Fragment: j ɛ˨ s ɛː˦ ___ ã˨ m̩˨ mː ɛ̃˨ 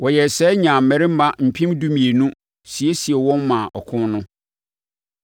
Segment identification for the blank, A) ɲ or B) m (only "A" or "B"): A